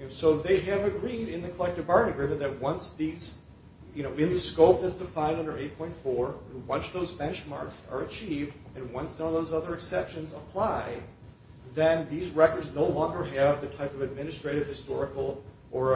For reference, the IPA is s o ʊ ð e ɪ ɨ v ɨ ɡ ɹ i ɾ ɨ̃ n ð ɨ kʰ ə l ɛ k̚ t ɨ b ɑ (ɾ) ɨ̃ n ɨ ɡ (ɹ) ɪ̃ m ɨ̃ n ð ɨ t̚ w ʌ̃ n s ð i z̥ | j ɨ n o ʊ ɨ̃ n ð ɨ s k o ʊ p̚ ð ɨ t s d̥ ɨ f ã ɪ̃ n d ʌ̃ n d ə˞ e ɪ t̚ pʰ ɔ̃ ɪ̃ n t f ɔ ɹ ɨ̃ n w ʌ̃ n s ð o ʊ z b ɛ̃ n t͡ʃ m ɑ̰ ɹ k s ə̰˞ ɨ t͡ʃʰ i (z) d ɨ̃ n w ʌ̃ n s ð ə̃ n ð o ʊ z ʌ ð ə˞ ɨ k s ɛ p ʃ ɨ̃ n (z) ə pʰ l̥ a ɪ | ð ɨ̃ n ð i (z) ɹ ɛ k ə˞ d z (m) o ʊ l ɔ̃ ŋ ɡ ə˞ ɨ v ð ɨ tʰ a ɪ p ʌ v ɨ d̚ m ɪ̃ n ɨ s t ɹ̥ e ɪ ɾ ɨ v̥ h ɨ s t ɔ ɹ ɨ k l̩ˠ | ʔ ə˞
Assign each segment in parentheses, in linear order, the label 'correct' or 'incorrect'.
incorrect: ɹ, correct, incorrect: v, correct, correct, incorrect: n

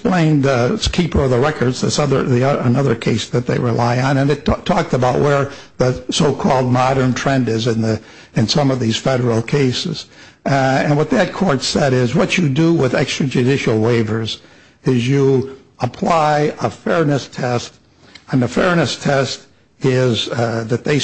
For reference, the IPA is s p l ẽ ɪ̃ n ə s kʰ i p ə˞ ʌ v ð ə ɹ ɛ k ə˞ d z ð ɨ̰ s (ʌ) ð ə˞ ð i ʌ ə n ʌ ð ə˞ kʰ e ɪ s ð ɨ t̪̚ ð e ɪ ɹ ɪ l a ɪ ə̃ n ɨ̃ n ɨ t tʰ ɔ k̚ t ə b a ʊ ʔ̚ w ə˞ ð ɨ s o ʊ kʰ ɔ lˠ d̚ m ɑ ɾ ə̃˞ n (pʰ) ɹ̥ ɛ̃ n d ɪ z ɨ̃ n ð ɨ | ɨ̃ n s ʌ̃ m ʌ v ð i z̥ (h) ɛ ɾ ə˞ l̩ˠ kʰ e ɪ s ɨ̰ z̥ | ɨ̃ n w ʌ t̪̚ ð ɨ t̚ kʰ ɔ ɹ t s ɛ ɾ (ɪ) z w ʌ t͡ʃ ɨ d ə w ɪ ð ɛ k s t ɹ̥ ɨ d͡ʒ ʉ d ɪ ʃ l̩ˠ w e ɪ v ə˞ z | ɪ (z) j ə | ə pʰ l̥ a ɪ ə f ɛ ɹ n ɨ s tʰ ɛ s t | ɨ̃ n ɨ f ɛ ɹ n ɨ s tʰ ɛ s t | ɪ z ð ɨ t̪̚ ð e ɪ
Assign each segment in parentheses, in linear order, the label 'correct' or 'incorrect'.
correct, incorrect: tʰ, incorrect: f, correct, correct

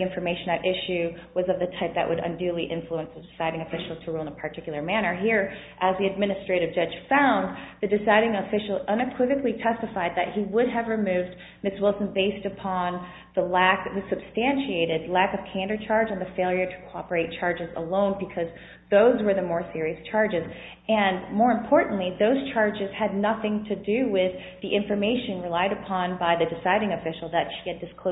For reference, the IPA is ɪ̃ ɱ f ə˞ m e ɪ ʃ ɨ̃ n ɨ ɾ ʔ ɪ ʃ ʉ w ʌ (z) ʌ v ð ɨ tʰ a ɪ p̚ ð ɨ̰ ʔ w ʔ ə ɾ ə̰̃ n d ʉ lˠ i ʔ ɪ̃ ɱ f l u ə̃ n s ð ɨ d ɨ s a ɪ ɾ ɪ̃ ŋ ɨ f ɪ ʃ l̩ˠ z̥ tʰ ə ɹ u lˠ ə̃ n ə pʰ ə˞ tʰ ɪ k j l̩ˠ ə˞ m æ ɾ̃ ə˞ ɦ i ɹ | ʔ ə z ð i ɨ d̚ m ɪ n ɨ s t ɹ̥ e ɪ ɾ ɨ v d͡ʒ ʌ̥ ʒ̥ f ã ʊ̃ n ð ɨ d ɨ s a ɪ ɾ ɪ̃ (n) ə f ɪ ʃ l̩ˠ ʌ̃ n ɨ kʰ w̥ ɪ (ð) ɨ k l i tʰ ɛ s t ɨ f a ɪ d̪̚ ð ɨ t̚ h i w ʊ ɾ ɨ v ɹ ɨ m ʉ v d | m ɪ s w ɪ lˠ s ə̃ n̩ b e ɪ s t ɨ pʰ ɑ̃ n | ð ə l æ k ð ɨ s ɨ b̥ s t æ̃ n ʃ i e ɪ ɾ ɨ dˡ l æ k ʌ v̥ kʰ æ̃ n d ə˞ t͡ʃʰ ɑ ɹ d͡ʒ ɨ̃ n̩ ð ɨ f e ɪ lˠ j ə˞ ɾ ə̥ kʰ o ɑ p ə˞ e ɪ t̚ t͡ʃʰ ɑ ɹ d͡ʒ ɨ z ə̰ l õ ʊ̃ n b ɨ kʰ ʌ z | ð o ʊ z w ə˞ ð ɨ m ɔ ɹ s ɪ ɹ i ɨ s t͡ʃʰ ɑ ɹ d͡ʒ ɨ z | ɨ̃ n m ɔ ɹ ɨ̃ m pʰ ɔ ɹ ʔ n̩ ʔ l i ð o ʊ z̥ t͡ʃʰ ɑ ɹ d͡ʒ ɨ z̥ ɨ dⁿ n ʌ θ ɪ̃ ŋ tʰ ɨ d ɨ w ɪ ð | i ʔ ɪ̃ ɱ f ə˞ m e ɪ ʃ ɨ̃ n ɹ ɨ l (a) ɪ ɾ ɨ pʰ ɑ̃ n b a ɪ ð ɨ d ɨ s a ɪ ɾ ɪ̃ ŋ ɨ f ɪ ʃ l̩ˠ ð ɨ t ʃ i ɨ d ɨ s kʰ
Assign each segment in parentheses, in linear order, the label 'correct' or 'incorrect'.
correct, incorrect: ŋ, incorrect: v, correct

